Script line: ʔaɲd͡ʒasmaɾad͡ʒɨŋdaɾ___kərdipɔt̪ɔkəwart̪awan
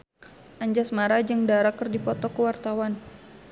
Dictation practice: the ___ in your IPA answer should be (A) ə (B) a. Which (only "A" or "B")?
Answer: B